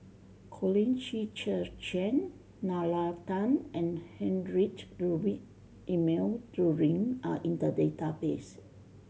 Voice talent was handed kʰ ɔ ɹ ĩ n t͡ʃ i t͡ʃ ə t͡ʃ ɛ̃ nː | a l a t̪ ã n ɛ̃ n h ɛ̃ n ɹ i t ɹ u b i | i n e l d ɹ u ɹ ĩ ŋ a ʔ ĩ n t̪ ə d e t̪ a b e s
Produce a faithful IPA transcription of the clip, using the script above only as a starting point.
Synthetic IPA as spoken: kʰ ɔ l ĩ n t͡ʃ i t͡ʃ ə t͡ʃ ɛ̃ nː | a l a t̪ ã n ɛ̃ n h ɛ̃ n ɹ i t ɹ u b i | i m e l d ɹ u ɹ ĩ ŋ a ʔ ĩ n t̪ ə d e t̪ a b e s